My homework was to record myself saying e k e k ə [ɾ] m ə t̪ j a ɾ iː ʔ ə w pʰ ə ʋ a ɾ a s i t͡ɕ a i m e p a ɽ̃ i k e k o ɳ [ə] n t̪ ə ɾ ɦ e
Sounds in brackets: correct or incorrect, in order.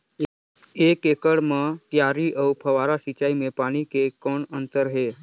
incorrect: ɽ, correct

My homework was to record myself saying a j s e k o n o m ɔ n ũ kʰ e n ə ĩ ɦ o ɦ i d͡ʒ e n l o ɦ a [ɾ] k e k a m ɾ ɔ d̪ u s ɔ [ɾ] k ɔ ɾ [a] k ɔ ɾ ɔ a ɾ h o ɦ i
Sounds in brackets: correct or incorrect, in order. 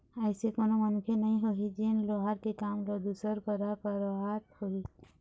correct, correct, correct

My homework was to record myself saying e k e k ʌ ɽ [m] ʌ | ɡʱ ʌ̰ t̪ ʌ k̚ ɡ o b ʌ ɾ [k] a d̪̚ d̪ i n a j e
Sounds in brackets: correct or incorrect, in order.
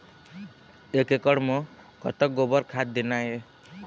correct, incorrect: kʰ

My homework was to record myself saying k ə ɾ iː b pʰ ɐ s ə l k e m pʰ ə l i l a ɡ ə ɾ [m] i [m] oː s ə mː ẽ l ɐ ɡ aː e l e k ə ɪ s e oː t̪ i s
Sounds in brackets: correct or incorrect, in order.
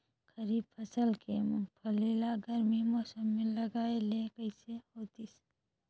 correct, correct

